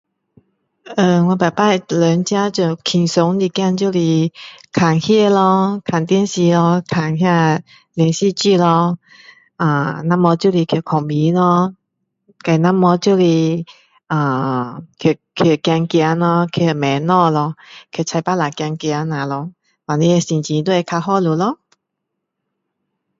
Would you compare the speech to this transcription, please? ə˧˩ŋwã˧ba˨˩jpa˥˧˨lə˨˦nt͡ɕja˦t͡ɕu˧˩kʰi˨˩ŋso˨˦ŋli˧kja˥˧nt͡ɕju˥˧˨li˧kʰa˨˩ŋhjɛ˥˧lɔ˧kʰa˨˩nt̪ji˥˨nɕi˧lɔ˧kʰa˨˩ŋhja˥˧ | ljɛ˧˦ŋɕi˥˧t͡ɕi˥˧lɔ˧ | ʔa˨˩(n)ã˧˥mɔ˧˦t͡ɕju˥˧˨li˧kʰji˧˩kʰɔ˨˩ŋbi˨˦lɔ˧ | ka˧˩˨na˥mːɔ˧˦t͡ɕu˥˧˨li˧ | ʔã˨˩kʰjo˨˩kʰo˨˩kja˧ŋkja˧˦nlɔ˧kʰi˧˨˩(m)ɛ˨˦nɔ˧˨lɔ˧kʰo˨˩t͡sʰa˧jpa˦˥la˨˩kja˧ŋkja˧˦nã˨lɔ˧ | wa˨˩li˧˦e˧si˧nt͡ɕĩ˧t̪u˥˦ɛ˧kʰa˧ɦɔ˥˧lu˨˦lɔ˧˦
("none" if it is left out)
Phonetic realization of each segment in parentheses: n, m

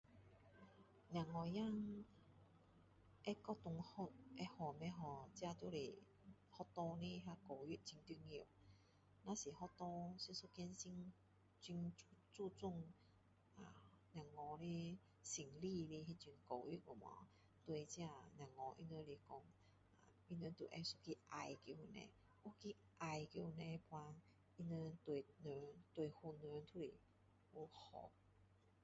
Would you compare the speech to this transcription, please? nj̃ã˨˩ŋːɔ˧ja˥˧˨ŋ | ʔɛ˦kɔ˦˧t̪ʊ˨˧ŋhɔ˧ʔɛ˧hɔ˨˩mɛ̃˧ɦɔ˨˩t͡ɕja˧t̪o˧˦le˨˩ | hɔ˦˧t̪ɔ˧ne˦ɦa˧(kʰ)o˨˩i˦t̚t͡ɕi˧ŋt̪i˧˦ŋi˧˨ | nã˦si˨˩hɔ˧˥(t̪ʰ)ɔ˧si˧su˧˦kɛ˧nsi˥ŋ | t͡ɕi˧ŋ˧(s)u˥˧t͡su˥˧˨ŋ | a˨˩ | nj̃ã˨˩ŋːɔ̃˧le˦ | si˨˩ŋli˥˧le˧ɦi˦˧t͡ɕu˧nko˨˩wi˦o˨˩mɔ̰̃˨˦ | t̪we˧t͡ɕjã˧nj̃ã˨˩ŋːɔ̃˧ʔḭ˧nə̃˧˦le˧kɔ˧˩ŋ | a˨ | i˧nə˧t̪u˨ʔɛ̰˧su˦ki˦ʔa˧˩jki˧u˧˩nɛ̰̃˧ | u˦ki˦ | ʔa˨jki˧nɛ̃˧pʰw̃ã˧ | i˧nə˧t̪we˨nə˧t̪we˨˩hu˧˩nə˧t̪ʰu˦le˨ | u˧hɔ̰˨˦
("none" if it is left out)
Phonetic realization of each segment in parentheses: k, t̪, t͡s

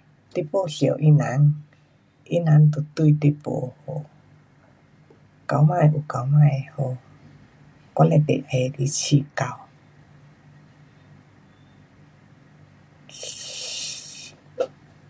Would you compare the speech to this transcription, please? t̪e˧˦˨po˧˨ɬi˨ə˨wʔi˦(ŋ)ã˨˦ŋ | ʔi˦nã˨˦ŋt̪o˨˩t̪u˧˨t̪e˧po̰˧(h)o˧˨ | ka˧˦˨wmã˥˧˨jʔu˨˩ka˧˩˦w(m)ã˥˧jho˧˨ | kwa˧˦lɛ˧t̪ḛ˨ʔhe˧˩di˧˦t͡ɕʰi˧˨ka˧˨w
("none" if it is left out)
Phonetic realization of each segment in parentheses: n, h, m

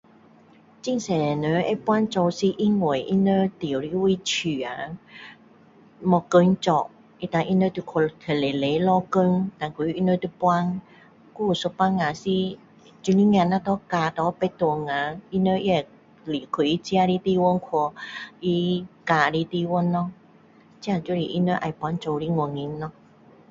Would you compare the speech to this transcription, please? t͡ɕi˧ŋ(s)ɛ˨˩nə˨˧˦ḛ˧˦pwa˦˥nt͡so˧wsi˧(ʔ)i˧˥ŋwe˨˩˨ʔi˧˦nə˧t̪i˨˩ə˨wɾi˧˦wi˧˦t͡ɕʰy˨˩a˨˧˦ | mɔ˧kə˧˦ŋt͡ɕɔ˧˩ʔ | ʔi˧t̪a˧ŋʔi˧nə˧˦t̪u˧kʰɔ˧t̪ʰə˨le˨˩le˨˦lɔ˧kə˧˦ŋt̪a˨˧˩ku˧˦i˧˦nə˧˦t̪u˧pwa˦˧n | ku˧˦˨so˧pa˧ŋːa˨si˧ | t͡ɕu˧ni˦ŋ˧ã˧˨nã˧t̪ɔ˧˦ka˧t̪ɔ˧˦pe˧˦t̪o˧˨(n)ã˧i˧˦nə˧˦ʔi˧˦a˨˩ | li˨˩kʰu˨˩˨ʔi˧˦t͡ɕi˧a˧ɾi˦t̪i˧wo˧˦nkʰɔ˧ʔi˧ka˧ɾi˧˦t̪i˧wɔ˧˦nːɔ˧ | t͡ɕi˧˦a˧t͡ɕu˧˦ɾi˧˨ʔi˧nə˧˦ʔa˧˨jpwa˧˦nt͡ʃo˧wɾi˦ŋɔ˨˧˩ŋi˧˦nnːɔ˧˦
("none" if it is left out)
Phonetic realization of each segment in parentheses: s, ʔ, ŋ

